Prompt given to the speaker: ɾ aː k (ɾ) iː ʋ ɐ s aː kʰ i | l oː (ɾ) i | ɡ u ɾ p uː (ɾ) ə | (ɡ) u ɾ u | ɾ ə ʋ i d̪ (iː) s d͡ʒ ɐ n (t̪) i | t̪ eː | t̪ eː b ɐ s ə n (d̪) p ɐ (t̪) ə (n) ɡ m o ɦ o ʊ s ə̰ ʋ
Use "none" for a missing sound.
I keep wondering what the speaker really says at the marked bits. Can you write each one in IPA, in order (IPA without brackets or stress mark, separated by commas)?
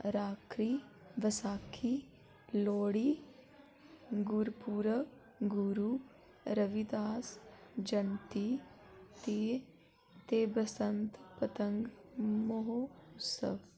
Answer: ɾ, ɽ, ɾ, ɡ, aː, t̪, t̪, t̪, ŋ